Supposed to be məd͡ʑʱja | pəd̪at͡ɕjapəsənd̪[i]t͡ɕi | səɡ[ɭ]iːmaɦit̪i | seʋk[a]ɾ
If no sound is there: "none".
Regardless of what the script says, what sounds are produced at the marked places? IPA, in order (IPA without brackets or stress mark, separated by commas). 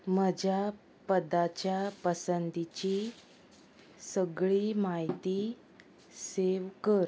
i, ɭ, ə